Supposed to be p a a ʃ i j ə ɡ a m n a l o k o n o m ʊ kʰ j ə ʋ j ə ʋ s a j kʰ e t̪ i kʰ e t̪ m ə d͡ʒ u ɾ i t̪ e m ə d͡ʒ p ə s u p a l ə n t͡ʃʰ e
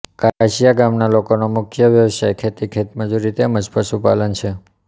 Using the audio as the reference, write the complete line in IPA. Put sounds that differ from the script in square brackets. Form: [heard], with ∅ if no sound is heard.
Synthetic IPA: [k] a a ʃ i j [a] ɡ a m n a l o k o n o m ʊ kʰ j ə ʋ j ə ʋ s a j kʰ e t̪ i kʰ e t̪ m ə d͡ʒ u ɾ i t̪ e m ə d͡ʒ p ə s u p a l ə n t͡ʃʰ e